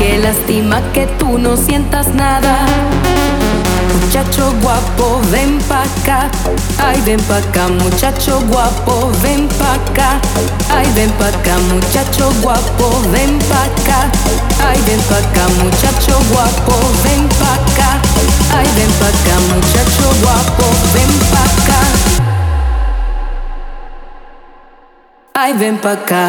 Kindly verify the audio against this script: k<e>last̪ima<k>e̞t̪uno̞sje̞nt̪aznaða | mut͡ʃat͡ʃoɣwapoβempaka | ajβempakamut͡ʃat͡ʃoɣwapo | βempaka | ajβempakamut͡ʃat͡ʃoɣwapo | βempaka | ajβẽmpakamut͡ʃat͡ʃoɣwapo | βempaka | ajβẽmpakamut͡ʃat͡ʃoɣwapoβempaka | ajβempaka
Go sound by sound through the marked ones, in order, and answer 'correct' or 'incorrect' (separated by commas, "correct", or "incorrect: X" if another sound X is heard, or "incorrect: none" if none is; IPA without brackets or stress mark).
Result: correct, correct